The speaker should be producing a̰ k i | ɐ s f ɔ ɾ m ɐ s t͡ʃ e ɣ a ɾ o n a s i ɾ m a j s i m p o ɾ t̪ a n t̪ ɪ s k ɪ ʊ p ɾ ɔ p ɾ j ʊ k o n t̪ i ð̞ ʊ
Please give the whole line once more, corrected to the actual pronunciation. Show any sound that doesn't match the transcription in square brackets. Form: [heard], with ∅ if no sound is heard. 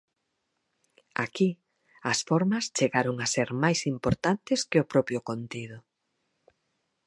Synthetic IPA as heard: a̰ k i | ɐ s f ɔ ɾ m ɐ s t͡ʃ e ɣ a ɾ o [ŋ] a s [e] ɾ m a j s i m p o ɾ t̪ a n t̪ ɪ s k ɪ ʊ p ɾ ɔ p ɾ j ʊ k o n t̪ i ð̞ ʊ